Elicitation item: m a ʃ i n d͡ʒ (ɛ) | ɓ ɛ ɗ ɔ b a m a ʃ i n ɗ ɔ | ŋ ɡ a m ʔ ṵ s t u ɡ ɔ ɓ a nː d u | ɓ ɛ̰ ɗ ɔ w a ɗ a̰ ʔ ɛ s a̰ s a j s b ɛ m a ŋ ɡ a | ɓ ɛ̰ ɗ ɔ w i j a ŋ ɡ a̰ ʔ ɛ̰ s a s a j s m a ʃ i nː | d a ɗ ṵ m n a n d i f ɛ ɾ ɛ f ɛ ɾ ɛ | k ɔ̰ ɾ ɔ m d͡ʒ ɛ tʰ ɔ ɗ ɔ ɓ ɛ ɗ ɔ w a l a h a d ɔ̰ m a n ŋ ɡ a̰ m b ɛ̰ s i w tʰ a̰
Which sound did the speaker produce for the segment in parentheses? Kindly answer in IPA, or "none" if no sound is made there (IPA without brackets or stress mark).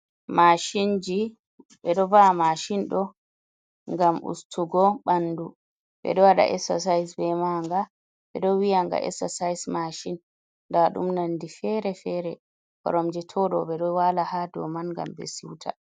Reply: i